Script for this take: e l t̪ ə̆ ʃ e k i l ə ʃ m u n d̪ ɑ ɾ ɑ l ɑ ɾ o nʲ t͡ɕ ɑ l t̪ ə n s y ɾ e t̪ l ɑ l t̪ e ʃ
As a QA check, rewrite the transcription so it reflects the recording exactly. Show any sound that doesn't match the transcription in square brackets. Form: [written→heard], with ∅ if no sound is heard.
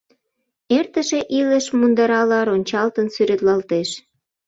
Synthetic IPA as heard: e [l→r] t̪ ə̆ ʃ e [k→ʔ] i l ə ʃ m u n d̪ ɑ ɾ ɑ l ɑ ɾ o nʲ t͡ɕ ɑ l t̪ ə n s y ɾ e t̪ l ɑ l t̪ e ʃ